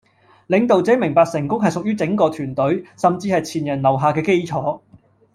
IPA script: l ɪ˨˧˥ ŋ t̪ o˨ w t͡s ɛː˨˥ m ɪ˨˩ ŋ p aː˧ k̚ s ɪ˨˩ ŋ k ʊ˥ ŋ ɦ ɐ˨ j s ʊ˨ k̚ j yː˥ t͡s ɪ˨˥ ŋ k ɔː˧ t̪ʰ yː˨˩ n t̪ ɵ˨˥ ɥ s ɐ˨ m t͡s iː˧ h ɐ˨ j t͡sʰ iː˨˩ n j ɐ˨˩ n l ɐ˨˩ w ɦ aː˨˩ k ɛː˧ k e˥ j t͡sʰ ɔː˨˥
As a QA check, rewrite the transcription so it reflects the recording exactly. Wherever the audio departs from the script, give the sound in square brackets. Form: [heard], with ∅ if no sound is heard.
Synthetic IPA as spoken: l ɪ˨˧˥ ŋ t̪ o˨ w t͡s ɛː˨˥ m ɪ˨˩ ŋ p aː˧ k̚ s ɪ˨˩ ŋ k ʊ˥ ŋ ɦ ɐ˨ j s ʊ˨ k̚ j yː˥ t͡s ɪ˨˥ ŋ k ɔː˧ t̪ʰ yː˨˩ n t̪ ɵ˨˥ ɥ s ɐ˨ m t͡s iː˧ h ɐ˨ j t͡sʰ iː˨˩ n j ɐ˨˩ n l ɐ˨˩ w ɦ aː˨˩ k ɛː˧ k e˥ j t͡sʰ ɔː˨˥